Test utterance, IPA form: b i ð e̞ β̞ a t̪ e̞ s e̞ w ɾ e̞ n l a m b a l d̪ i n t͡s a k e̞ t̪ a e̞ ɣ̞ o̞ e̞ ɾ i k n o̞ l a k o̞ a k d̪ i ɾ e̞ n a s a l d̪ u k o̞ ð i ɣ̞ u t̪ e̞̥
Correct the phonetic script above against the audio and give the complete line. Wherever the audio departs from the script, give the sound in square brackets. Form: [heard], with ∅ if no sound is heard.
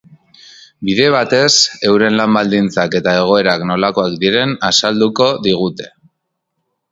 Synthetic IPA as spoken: b i ð e̞ β̞ a t̪ e̞ s e̞ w ɾ e̞ n l a m b a l d̪ i n t͡s a k e̞ t̪ a e̞ ɣ̞ o̞ e̞ ɾ [a] k n o̞ l a k o̞ a k d̪ i ɾ e̞ n a s a l d̪ u k o̞ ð i ɣ̞ u t̪ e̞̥